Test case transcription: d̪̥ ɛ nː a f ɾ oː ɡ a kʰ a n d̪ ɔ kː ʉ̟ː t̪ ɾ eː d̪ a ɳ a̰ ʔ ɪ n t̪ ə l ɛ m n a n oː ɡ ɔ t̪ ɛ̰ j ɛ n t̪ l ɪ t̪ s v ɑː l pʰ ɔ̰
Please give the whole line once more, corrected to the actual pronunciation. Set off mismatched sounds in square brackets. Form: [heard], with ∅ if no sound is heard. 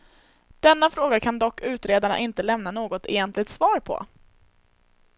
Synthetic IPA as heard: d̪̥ ɛ nː a f ɾ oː ɡ a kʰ a n d̪ ɔ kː ʉ̟ː t̪ ɾ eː d̪ a ɳ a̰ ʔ ɪ n t̪ ə l ɛ m n a n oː ɡ ɔ t̪ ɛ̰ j ɛ n t̪ l ɪ t̪ s v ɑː [ɾ] pʰ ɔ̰